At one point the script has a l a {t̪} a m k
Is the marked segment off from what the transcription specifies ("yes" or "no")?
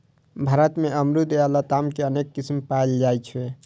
no